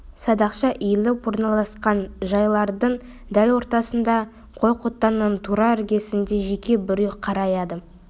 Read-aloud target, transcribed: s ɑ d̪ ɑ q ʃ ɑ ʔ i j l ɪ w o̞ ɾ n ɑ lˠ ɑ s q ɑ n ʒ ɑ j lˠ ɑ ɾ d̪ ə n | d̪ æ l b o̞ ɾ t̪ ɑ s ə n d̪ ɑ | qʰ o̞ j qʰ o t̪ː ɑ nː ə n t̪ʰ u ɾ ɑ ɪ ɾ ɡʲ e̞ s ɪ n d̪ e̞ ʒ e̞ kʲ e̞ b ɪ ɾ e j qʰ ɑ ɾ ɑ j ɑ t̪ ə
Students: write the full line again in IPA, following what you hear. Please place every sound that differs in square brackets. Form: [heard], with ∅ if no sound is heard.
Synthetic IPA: s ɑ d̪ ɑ q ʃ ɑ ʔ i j l ɪ w o̞ ɾ n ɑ lˠ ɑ s q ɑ n ʒ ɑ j lˠ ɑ ɾ d̪ ə [ɴ] | d̪ æ l [w] o̞ ɾ t̪ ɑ s ə n d̪ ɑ | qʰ o̞ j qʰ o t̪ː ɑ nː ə n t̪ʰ u ɾ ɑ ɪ ɾ ɡʲ e̞ s ɪ n d̪ e̞ ʒ e̞ kʲ e̞ b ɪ ɾ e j qʰ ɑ ɾ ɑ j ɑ [d̪] ə